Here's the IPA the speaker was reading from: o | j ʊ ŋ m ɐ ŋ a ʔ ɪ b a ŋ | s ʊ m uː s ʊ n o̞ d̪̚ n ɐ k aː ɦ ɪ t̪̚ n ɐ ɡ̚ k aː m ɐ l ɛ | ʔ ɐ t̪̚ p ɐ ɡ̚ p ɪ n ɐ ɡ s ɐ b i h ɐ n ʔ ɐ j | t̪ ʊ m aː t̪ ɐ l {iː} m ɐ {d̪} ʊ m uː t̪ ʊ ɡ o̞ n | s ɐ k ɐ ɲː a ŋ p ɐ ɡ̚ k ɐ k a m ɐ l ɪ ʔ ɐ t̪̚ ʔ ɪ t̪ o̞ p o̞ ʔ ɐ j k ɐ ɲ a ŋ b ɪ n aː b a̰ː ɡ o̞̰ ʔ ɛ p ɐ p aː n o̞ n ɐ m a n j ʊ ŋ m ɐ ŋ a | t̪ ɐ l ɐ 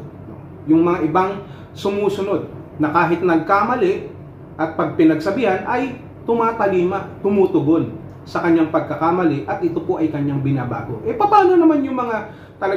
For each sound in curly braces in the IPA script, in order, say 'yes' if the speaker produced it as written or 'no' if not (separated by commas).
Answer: yes, no